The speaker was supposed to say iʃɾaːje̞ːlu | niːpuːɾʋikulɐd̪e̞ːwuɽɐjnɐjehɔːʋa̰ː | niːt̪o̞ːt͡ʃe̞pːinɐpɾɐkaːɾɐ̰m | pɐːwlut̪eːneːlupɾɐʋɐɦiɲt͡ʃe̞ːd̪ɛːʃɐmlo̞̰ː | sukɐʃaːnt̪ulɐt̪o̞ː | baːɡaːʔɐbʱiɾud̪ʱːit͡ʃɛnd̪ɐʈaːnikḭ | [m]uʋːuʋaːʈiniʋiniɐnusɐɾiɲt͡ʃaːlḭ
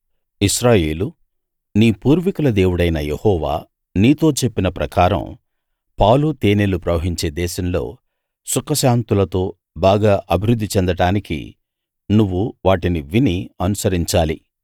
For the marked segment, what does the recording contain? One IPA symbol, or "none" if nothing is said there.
n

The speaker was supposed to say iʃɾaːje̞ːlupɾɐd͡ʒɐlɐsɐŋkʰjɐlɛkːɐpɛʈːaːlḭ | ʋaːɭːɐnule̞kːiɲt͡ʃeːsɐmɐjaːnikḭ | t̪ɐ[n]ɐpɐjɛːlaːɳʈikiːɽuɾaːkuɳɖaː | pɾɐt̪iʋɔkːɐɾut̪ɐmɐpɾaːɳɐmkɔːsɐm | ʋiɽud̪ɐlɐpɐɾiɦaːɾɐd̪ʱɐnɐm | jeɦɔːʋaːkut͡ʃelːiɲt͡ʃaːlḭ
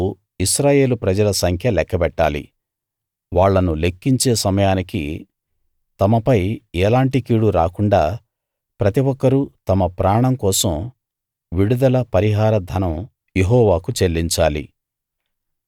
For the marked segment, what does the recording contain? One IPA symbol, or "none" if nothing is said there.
m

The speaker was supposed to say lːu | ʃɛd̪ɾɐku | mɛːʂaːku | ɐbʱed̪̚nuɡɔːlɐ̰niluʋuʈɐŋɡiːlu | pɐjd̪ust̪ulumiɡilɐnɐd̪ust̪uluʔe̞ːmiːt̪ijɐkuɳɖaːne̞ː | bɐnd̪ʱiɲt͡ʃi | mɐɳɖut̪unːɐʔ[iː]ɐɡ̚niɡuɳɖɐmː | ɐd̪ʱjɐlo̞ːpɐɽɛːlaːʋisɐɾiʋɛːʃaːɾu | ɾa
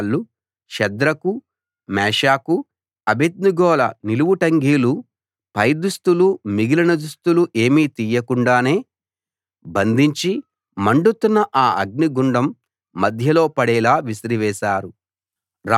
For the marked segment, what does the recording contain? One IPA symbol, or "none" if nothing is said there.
aː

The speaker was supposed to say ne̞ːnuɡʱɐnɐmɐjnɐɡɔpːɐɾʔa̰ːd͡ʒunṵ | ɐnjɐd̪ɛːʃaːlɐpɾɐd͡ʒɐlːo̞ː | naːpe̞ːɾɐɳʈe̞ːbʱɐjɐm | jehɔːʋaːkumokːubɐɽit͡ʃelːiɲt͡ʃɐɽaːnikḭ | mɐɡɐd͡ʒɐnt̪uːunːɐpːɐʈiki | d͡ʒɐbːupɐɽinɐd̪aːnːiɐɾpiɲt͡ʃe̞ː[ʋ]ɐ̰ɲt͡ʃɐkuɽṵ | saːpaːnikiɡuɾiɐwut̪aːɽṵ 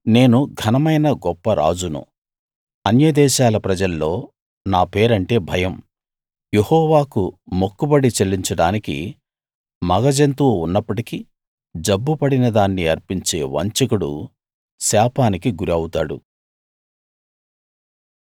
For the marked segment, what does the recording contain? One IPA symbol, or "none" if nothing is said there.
ʋ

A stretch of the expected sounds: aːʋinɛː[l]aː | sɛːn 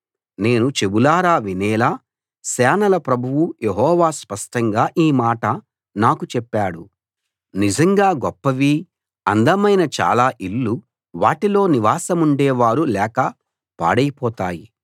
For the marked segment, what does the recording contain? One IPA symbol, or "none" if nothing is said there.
l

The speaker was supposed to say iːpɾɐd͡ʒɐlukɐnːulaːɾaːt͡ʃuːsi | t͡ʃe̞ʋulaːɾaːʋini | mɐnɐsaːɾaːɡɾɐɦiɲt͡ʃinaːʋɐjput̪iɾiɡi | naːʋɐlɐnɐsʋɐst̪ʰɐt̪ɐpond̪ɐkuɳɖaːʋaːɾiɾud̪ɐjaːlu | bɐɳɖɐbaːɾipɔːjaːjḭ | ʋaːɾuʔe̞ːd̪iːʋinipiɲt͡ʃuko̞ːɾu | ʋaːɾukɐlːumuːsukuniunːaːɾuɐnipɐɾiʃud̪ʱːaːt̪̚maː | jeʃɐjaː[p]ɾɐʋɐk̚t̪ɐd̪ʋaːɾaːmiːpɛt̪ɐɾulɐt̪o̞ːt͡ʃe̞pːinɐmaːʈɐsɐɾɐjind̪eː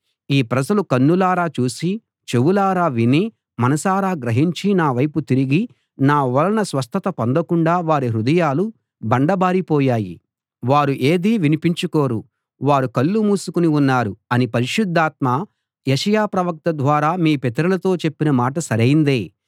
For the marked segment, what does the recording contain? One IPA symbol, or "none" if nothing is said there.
p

